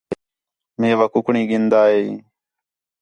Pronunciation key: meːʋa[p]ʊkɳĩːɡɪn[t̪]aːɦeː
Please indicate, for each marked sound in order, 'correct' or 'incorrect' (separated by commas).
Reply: incorrect, incorrect